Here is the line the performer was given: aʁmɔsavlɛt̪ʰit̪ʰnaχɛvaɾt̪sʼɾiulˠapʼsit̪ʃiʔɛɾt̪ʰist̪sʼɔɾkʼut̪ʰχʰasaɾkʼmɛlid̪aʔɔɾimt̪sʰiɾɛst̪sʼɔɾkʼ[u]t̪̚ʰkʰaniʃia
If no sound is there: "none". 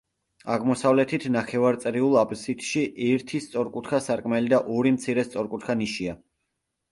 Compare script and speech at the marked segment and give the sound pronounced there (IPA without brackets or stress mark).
u